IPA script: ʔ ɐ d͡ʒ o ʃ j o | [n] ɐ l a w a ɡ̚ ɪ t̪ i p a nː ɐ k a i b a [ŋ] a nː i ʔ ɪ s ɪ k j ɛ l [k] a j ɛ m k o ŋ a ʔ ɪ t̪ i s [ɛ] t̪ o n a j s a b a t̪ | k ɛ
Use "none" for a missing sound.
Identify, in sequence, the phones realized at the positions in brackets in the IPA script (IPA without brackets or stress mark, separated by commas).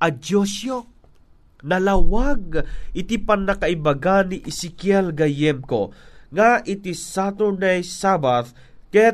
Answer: n, ɡ, ɡ, a